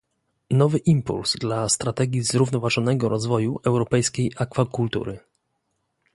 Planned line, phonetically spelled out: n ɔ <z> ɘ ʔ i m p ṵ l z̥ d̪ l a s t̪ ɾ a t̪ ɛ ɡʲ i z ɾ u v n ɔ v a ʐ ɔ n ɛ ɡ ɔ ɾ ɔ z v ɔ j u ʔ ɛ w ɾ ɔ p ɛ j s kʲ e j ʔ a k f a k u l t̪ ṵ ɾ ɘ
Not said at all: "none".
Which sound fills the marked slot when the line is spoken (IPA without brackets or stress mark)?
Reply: v